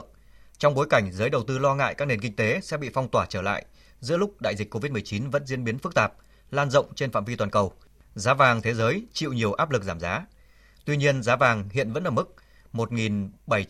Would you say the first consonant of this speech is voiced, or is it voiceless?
voiceless